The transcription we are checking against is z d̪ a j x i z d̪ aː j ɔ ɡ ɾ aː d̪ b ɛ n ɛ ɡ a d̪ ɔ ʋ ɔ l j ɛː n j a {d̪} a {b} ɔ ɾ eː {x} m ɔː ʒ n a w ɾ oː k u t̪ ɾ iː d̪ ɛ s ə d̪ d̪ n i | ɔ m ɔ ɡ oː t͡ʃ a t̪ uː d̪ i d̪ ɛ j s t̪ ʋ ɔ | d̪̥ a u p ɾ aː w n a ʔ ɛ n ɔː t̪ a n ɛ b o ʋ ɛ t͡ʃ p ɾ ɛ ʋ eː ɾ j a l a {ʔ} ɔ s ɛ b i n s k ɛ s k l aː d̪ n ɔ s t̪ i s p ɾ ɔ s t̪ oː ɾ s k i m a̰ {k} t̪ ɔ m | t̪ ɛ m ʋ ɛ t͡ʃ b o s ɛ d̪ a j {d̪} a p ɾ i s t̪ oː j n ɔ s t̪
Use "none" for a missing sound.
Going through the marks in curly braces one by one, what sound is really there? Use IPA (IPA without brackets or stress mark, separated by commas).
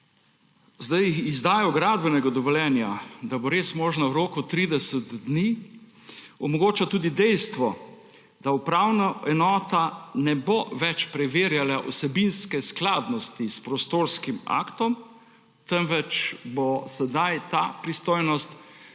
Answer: d̪, b, s, ʔ, k, t̪